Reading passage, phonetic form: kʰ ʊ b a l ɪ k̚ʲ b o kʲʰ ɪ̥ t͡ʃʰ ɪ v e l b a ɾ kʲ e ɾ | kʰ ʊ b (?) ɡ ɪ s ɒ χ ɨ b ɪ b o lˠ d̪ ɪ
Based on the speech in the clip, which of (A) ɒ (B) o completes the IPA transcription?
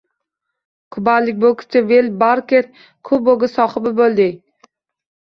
B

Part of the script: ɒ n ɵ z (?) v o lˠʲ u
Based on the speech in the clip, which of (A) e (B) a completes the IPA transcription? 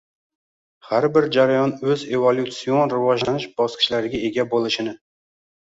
A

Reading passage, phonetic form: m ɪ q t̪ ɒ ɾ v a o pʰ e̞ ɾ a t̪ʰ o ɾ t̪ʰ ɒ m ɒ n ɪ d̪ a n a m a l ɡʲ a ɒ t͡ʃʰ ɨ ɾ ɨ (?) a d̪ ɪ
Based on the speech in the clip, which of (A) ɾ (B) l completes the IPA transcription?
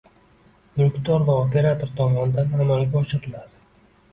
B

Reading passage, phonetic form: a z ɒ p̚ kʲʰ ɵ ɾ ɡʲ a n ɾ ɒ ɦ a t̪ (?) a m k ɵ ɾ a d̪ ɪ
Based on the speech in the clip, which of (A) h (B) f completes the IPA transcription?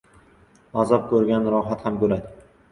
A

